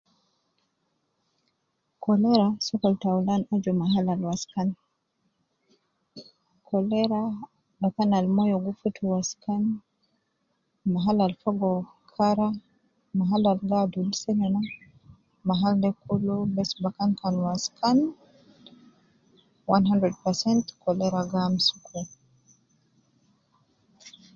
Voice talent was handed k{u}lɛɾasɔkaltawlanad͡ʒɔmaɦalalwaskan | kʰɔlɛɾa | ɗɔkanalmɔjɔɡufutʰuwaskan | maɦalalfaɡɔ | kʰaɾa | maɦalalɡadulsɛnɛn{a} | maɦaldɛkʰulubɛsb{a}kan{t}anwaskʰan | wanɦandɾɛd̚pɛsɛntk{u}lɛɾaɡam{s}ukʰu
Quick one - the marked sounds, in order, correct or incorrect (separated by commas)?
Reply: incorrect, correct, correct, incorrect, incorrect, correct